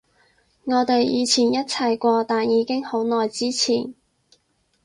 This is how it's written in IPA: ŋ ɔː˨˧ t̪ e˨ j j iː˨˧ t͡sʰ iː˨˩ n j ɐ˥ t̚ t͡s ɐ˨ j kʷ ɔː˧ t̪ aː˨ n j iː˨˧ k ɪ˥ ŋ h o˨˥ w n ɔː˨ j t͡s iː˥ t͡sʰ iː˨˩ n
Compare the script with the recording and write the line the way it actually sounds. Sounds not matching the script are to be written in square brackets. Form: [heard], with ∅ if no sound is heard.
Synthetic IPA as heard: ŋ ɔː˨˧ t̪ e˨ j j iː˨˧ t͡sʰ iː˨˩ n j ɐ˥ t̚ [t͡sʰ] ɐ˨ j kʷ ɔː˧ t̪ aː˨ n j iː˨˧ k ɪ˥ ŋ h o˨˥ w n ɔː˨ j t͡s iː˥ t͡sʰ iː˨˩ n